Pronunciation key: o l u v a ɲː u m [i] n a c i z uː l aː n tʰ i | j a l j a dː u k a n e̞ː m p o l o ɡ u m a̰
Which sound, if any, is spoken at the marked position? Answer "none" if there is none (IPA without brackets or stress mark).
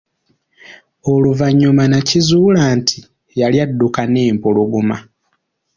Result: a